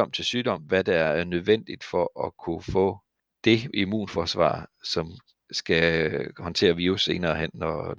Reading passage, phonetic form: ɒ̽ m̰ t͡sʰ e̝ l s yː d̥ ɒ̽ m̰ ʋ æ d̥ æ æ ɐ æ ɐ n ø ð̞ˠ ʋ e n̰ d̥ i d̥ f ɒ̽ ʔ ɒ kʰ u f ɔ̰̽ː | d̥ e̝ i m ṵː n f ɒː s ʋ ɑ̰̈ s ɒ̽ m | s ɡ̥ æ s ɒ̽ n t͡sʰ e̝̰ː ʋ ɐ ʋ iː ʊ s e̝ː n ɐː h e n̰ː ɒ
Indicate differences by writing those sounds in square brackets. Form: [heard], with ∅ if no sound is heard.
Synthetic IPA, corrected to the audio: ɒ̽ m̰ t͡sʰ e̝ l s yː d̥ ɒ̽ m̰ ʋ æ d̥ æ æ ɐ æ ɐ n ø ð̞ˠ ʋ e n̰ d̥ i d̥ f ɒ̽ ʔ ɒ kʰ u f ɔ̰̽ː | d̥ e̝ i m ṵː n f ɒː s ʋ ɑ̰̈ s ɒ̽ m | s ɡ̥ æ [h] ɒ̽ n t͡sʰ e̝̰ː [∅] ɐ ʋ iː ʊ s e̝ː n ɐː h e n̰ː ɒ